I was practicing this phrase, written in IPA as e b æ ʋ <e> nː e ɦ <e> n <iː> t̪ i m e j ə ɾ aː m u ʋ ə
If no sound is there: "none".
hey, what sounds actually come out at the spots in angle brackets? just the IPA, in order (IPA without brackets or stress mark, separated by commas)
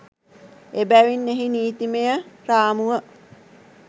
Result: i, i, iː